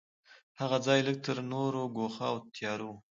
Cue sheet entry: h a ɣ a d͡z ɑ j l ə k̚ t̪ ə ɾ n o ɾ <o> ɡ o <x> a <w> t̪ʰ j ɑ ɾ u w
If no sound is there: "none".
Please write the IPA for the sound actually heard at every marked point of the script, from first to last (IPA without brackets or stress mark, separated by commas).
o, x, w